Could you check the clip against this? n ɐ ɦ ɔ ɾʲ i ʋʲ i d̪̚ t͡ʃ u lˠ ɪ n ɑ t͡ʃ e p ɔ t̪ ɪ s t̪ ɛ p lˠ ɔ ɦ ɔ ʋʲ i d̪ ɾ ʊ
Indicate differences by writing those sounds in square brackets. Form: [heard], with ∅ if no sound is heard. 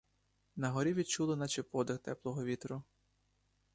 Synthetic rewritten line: n ɐ ɦ ɔ ɾʲ i ʋʲ i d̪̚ t͡ʃ u lˠ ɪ n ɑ t͡ʃ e p ɔ [d̪] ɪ [x] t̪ ɛ p lˠ ɔ ɦ ɔ ʋʲ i [t̪] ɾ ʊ

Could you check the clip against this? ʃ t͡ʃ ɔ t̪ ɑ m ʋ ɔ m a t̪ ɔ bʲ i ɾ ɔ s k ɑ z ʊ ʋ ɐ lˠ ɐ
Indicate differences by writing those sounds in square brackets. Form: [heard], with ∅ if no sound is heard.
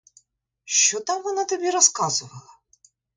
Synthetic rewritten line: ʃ t͡ʃ ɔ t̪ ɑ m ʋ ɔ [n] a t̪ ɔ bʲ i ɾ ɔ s k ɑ z ʊ ʋ ɐ lˠ ɐ

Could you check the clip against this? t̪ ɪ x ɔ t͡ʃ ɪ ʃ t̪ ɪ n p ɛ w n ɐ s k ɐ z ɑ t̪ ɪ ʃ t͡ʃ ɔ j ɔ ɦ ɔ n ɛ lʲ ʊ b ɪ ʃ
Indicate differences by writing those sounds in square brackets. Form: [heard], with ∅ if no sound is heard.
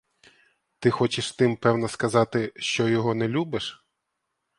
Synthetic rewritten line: t̪ ɪ x ɔ t͡ʃ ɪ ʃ t̪ ɪ [m] p ɛ w n ɐ s k ɐ z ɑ t̪ ɪ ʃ t͡ʃ ɔ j ɔ ɦ ɔ n ɛ lʲ [u] b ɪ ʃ

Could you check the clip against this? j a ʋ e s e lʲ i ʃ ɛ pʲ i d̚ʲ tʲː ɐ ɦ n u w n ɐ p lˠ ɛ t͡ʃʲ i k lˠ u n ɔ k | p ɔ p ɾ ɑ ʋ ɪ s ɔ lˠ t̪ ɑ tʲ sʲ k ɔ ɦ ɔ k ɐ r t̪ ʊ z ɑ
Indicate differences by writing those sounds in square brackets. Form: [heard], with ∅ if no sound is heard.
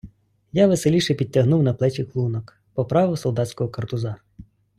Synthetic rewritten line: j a ʋ e s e lʲ i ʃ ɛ pʲ i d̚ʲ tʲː ɐ ɦ n u w n ɐ p lˠ ɛ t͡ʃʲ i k lˠ u n ɔ k | p ɔ p ɾ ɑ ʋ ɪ s ɔ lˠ [d̪] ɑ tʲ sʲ k ɔ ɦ ɔ k ɐ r t̪ ʊ z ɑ

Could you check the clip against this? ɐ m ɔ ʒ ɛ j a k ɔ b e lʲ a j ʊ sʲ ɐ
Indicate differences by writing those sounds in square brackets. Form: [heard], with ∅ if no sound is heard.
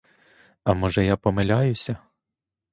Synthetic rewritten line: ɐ m ɔ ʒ ɛ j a [p] ɔ [m] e lʲ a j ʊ sʲ ɐ

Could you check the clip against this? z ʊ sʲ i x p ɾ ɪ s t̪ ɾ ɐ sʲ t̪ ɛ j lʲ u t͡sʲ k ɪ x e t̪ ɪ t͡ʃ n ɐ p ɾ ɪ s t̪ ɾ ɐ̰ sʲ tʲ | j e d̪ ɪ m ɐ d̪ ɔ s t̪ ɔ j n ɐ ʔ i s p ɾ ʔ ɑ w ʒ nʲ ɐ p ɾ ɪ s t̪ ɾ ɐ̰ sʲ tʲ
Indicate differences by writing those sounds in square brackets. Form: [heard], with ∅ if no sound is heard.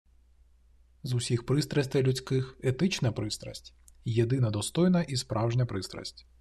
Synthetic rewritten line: z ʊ sʲ i x p ɾ ɪ s t̪ ɾ ɐ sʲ t̪ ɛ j lʲ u t͡sʲ k ɪ x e t̪ ɪ t͡ʃ n ɐ p ɾ ɪ s t̪ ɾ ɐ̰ sʲ tʲ | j e d̪ ɪ [n] ɐ d̪ ɔ s t̪ ɔ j n ɐ ʔ i s p ɾ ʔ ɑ w ʒ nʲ ɐ p ɾ ɪ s t̪ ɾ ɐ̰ sʲ tʲ

